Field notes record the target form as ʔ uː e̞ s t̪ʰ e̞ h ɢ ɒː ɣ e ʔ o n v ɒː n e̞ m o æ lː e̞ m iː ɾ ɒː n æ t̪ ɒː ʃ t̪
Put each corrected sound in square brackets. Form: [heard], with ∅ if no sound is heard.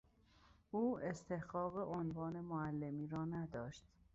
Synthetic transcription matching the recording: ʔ uː e̞ s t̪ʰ e̞ h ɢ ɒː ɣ e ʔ o n v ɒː n e̞ m o æ lː e̞ m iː ɾ ɒː n æ [d̪] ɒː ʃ t̪